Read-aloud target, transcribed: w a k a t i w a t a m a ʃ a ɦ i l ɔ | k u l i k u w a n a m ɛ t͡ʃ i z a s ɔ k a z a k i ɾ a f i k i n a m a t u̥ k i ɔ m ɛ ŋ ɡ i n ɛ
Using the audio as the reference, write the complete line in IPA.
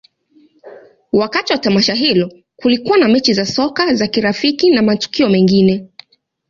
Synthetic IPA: w a k a t i w a t a m a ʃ a ɦ i l ɔ | k u l i k u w a n a m ɛ t͡ʃ i z a s ɔ k a z a k i ɾ a f i k i n a m a t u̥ k i ɔ m ɛ ŋ ɡ i n ɛ